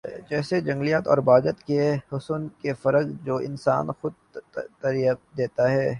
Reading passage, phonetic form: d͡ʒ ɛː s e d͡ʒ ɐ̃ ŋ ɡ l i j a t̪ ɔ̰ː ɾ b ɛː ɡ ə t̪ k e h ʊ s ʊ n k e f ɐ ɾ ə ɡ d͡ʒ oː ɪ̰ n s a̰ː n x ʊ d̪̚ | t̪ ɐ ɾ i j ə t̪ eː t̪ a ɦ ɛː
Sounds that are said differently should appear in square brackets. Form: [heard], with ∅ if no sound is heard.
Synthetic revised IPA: d͡ʒ ɛː s e d͡ʒ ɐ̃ ŋ ɡ l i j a t̪ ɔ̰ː ɾ b [aː] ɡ ə t̪ k e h ʊ s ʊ n k e f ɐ ɾ ə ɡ d͡ʒ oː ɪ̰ n s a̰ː n x ʊ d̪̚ | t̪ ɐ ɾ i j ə [d̪] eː t̪ a ɦ ɛː